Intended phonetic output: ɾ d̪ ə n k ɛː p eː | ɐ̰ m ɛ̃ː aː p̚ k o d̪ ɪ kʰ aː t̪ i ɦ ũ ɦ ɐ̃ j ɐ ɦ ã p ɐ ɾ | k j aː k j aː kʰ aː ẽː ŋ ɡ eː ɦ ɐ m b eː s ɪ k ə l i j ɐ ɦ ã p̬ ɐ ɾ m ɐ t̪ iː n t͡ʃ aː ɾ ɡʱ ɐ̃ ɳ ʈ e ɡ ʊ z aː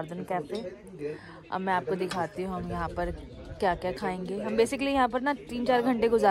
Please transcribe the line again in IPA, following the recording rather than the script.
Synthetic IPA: ɾ d̪ ə n k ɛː p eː | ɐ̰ m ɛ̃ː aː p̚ k o d̪ ɪ kʰ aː t̪ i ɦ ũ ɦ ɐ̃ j ɐ ɦ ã p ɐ ɾ | k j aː k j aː kʰ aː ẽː ŋ ɡ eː ɦ ɐ m b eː s ɪ k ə l i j ɐ ɦ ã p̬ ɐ ɾ n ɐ t̪ iː n t͡ʃ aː ɾ ɡʱ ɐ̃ ɳ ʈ e ɡ ʊ z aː